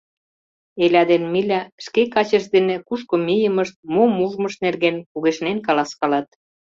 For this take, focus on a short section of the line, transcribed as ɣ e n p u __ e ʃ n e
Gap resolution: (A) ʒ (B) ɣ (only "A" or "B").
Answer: B